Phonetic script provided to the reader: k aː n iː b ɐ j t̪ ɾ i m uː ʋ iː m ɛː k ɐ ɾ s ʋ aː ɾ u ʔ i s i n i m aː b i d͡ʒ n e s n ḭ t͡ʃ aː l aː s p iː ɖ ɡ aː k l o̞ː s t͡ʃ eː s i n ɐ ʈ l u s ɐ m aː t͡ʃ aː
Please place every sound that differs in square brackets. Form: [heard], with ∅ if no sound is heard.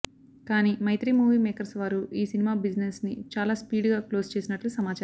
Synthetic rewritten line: k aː n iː [m] ɐ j t̪ ɾ i m uː ʋ iː m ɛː k ɐ ɾ s ʋ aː ɾ u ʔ [iː] s i n i m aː b i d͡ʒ n e s n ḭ t͡ʃ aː l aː s p iː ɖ ɡ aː k l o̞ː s t͡ʃ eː s i n ɐ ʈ l u s ɐ m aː t͡ʃ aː

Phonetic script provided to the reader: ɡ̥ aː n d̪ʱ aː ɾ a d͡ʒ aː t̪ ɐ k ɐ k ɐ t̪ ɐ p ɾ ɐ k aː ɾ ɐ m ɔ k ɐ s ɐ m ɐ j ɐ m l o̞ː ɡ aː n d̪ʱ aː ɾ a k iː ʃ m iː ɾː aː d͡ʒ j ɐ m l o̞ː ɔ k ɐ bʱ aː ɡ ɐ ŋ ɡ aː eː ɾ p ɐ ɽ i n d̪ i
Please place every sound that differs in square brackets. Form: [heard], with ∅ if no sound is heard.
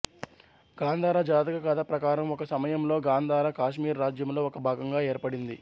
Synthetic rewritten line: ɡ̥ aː n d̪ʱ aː ɾ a d͡ʒ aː t̪ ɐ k ɐ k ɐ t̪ ɐ p ɾ ɐ k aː ɾ ɐ m ɔ k ɐ s ɐ m ɐ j ɐ m l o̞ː ɡ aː n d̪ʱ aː ɾ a k [aː] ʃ m iː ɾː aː d͡ʒ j ɐ m l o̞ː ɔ k ɐ bʱ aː ɡ ɐ ŋ ɡ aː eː ɾ p ɐ ɽ i n d̪ i

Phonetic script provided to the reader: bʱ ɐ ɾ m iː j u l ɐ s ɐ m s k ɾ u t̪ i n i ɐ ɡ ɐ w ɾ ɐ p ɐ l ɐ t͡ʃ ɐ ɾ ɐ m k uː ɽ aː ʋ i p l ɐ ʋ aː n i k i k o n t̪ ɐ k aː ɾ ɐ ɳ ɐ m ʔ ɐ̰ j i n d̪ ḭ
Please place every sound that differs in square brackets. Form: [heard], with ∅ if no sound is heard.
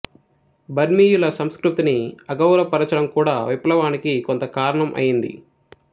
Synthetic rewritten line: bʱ ɐ ɾ m iː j u l ɐ s ɐ m s k ɾ u t̪ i n i ɐ ɡ ɐ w ɾ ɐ p ɐ [ɾ] ɐ t͡ʃ ɐ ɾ ɐ m k uː ɽ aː ʋ i p l ɐ ʋ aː n i k i k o n t̪ ɐ k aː ɾ ɐ ɳ ɐ m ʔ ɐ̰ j i n d̪ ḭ

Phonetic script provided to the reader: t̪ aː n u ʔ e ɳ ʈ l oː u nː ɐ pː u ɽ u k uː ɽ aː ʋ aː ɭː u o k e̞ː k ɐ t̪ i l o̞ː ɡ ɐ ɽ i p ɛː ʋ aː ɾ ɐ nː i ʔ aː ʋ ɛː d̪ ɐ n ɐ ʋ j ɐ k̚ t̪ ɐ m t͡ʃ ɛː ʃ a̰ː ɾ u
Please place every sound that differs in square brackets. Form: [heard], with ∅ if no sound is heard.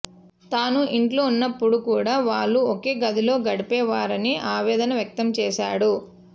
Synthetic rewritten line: t̪ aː n u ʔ [i] ɳ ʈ l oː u nː ɐ pː u ɽ u k uː ɽ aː ʋ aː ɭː u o k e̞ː [ɡ] ɐ [d̪] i l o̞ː ɡ ɐ ɽ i p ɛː ʋ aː ɾ ɐ [n] i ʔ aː ʋ ɛː d̪ ɐ n ɐ ʋ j ɐ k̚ t̪ ɐ m t͡ʃ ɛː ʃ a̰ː [ɽ] u

